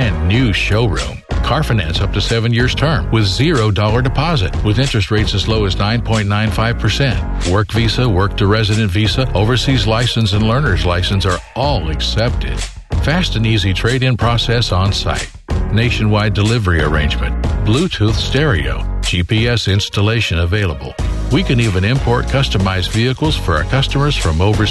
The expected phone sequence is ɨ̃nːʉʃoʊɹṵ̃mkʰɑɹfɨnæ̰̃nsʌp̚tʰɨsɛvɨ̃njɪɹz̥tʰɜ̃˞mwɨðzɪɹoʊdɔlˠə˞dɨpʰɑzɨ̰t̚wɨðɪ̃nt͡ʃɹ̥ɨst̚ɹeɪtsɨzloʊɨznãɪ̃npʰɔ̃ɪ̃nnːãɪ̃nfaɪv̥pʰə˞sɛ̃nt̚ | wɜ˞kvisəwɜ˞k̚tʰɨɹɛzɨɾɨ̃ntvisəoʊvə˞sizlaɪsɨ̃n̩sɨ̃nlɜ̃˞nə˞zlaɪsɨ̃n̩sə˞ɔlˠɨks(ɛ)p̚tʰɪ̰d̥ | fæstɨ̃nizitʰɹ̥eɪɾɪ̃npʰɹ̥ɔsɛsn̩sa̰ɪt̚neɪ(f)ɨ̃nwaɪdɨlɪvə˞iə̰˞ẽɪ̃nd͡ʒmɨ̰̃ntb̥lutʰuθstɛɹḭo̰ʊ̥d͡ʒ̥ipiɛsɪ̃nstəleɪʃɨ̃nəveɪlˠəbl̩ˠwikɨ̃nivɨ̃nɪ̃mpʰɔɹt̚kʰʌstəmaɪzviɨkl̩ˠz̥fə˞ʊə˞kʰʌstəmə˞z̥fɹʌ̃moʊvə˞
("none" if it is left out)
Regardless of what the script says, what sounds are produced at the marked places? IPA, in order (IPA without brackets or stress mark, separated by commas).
ɛ, ʃ